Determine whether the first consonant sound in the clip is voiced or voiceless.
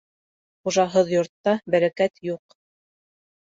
voiceless